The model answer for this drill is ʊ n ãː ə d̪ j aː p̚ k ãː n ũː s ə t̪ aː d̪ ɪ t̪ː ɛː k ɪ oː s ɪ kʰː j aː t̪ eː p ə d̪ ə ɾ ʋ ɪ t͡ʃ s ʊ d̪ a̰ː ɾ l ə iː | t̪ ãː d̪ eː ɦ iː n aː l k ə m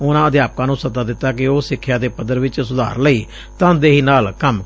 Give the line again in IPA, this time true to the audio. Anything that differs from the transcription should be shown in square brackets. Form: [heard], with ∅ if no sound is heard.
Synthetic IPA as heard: ʊ n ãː ə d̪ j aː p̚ k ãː n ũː s ə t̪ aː d̪ ɪ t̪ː [aː] k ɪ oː s ɪ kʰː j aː [d̪] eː p ə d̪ ə ɾ ʋ ɪ t͡ʃ s ʊ d̪ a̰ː ɾ l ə iː | t̪ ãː d̪ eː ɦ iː n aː l k ə m